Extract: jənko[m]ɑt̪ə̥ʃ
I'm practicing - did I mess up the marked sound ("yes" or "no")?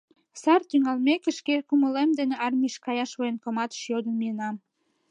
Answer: no